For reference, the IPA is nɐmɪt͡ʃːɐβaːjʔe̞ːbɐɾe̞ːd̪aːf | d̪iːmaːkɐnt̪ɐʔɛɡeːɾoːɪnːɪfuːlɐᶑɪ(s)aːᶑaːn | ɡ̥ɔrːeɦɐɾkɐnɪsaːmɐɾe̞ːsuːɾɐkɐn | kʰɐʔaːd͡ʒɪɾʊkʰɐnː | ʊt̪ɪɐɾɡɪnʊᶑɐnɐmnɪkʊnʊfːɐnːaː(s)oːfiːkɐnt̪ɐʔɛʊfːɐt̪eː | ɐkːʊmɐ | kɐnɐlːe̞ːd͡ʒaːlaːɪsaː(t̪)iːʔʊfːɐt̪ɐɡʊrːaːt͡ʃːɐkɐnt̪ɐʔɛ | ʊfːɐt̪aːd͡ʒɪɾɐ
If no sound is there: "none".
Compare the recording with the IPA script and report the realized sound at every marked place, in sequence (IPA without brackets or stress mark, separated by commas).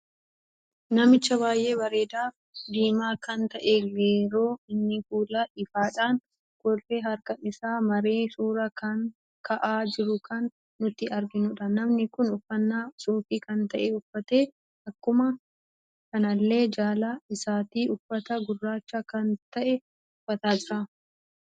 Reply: f, s, t̪